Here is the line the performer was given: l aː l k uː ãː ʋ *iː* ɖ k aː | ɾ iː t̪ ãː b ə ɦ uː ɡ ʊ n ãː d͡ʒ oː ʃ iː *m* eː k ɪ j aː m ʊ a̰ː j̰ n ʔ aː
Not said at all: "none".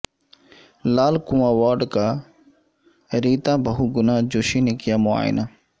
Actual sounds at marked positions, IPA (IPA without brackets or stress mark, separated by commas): aː, n